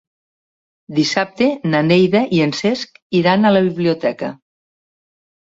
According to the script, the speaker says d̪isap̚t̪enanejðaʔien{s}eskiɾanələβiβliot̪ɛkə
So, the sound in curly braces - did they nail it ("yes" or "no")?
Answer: yes